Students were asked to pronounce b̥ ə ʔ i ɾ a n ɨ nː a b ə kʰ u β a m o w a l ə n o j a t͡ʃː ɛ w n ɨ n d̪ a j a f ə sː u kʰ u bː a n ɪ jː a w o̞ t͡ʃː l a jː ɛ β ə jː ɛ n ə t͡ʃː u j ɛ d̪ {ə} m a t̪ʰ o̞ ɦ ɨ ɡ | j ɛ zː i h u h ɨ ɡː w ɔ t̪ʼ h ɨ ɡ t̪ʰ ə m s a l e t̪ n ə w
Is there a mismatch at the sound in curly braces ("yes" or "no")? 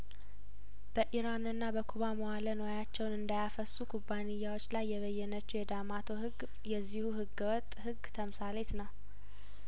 yes